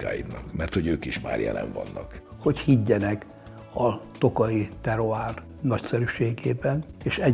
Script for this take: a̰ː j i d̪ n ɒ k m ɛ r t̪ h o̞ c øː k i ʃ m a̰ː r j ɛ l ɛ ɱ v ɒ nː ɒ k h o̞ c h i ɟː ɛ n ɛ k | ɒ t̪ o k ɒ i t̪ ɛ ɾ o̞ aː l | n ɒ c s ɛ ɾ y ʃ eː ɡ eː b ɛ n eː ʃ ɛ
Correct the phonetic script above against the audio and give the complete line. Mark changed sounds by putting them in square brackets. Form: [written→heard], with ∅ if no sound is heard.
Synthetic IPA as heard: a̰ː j i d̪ n ɒ k m ɛ r t̪ h o̞ [c→ɟ] øː k i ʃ m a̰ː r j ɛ l ɛ ɱ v ɒ nː ɒ k h o̞ c h i ɟː ɛ n ɛ k | ɒ t̪ o k ɒ i t̪ ɛ ɾ o̞ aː [l→r] | n ɒ c s ɛ ɾ y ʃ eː ɡ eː b ɛ n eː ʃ ɛ